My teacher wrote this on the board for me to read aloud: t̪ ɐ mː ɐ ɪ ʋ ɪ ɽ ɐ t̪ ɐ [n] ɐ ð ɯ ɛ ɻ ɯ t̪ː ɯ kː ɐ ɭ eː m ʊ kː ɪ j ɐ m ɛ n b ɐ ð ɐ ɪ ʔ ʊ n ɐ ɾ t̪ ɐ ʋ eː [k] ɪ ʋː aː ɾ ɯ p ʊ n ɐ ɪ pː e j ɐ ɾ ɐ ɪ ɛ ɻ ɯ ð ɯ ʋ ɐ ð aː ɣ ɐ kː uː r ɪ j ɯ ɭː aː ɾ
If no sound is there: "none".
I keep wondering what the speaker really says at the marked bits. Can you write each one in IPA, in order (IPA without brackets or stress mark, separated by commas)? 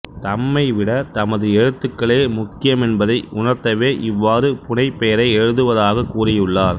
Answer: m, ʔ